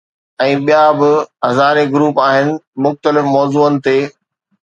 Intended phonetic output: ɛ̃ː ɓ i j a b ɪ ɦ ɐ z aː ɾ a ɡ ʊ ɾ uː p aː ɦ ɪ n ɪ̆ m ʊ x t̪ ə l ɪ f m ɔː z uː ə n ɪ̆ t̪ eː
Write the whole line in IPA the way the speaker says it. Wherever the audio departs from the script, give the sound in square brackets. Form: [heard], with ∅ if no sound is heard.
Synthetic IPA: ɛ̃ː ɓ i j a b ɪ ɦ ɐ z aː ɾ [e] ɡ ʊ ɾ uː p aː ɦ ɪ n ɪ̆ m ʊ x t̪ ə l ɪ f m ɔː z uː ə n ɪ̆ t̪ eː